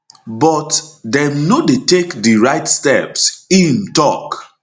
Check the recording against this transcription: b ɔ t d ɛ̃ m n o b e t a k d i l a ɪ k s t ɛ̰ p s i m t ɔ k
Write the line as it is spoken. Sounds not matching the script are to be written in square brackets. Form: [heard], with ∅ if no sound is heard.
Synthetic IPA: b ɔ t d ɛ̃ m n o [d] e t [e] k d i [ɹ] a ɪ [t] s t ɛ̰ p s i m t ɔ k

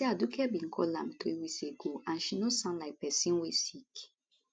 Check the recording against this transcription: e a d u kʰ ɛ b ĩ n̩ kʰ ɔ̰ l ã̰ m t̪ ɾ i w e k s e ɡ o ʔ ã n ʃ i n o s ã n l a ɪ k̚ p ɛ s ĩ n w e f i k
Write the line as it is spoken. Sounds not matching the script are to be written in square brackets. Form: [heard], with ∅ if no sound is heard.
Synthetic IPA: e a d u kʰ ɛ b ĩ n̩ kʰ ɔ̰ l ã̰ m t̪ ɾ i w [i] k s e ɡ o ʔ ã n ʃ i n o s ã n l a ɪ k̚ p ɛ s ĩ n w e [s] i k

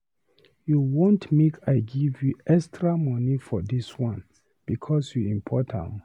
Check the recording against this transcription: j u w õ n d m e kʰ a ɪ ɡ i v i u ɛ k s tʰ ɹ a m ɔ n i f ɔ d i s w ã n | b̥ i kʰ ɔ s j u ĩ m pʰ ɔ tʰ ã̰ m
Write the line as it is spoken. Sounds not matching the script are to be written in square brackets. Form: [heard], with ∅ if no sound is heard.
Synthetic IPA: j u w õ n [t] m e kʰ a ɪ ɡ i v [j] u ɛ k s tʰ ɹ a m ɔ n i f ɔ d i s w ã n | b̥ i kʰ ɔ s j u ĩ m pʰ ɔ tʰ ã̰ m

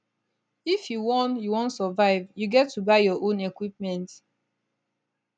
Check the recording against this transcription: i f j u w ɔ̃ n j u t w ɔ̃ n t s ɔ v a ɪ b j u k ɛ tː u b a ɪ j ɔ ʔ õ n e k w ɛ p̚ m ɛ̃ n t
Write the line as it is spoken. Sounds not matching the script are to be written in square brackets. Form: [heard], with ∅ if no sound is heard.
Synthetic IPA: i f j u w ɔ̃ n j u [∅] w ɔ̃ n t s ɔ v a ɪ [v] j u [ɡ] ɛ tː u b a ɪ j ɔ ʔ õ n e k w [i] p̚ m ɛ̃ n t

